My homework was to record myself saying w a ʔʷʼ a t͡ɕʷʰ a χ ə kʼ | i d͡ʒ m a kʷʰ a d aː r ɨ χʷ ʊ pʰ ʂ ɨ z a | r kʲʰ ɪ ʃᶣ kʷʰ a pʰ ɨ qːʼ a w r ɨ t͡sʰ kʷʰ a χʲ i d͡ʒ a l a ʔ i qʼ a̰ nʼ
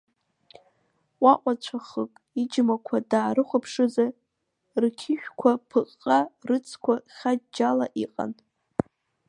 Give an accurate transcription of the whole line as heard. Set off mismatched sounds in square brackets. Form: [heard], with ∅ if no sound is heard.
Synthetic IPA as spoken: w a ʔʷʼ a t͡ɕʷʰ a χ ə kʼ | i d͡ʒ m a kʷʰ a d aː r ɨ χʷ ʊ pʰ ʂ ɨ z a | r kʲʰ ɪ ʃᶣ kʷʰ a pʰ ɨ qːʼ a [∅] r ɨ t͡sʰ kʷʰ a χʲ [a] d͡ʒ a l a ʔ i qʼ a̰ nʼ